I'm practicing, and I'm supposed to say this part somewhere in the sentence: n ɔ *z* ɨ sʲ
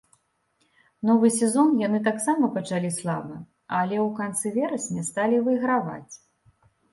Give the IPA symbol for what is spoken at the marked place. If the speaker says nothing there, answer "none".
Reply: v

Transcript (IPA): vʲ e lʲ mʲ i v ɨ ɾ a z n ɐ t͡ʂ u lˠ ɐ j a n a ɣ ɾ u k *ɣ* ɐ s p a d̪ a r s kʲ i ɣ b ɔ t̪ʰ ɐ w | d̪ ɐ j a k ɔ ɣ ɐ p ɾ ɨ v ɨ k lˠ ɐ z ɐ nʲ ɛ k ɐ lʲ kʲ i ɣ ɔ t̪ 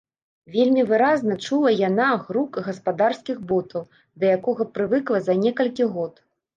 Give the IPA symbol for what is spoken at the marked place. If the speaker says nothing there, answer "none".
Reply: ɣ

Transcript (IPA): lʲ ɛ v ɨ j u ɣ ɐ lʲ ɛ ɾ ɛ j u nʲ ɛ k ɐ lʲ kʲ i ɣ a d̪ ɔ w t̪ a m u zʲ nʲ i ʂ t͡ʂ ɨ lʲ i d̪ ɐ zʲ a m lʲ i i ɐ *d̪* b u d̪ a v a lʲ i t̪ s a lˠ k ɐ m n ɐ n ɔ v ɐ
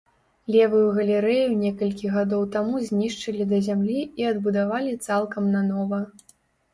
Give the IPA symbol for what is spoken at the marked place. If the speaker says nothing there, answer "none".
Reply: d̪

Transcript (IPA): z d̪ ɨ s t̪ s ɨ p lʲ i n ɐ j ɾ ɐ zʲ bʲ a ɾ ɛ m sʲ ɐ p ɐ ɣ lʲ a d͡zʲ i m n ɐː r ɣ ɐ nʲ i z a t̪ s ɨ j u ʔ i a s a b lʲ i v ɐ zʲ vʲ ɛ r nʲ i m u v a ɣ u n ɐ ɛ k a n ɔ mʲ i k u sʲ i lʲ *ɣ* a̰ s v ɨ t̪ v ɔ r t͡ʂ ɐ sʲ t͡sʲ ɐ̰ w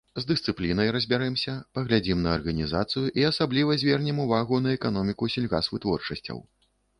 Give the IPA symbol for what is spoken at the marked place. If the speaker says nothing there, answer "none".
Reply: ɣ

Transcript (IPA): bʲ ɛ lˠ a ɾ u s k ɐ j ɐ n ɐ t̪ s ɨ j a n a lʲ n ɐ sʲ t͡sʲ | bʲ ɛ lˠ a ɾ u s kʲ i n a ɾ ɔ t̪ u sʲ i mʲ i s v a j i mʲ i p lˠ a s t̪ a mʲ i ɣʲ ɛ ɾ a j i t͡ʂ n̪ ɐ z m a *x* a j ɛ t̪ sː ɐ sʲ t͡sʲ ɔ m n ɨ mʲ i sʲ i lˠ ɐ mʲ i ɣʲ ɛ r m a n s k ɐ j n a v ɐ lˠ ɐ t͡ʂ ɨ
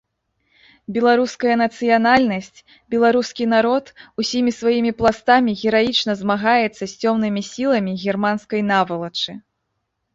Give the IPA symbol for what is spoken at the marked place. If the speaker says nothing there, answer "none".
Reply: ɣ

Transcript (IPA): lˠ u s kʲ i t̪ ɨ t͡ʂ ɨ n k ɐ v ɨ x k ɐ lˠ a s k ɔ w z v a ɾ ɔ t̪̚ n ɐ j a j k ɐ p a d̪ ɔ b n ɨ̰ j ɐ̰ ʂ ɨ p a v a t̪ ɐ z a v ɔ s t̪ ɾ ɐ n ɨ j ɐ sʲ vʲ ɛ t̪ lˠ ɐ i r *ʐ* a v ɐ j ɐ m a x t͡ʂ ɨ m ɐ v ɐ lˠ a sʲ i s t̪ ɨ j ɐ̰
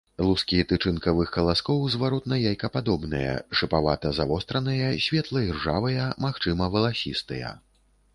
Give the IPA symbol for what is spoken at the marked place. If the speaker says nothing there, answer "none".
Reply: ʐ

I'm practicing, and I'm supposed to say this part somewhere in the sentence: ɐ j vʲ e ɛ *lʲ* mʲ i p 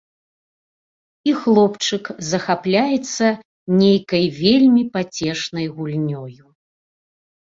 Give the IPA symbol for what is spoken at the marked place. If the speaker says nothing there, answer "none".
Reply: lʲ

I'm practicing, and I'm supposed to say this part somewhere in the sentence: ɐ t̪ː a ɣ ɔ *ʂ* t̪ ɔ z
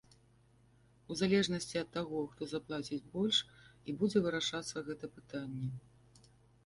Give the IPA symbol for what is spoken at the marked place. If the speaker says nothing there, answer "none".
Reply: x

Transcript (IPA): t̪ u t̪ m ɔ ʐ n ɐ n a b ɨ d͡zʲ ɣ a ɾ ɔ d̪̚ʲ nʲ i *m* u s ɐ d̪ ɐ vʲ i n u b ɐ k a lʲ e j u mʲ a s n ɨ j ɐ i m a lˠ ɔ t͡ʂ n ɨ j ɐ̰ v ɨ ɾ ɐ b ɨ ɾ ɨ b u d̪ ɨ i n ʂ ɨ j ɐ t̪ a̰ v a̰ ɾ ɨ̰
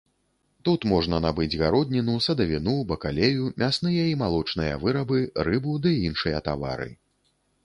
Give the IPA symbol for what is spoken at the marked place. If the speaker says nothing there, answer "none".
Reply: n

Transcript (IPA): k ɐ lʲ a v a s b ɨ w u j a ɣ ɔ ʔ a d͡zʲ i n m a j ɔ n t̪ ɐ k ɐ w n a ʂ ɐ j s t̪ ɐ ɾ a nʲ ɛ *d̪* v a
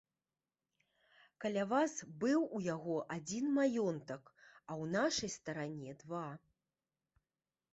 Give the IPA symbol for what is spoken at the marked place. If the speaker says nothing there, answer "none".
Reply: d̪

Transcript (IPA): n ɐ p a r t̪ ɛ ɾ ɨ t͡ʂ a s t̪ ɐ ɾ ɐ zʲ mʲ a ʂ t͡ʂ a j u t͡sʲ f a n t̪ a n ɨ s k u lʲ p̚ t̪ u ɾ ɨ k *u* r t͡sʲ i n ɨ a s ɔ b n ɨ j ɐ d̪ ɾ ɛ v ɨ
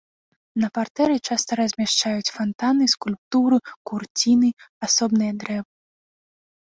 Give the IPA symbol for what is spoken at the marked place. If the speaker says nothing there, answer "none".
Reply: u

